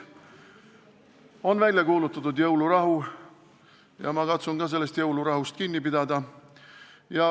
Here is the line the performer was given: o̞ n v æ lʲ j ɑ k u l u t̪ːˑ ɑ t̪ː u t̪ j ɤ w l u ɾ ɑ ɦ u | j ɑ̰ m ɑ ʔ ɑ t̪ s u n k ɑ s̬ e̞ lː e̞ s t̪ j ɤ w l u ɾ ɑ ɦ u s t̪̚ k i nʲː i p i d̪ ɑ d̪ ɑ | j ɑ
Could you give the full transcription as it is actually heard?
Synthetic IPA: o̞ n v æ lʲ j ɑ k uː l u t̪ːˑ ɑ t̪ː u d̪ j ɤ w l u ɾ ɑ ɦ u | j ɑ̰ m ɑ k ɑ t̪ s u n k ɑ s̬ e̞ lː e̞ s t̪ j ɤ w l u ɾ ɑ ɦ u s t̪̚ k i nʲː i p i d̪ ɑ d̪ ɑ | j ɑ